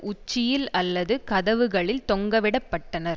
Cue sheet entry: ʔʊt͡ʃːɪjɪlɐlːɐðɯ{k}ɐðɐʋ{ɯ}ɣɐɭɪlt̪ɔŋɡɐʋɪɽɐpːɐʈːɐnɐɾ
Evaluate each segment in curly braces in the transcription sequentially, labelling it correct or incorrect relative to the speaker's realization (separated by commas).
correct, correct